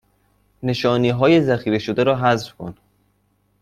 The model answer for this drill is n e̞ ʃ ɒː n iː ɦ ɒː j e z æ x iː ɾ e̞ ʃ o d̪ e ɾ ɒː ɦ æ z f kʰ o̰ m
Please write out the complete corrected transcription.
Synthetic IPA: n e̞ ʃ ɒː n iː ɦ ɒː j e z æ x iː ɾ e̞ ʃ o d̪ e ɾ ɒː ɦ æ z f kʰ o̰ n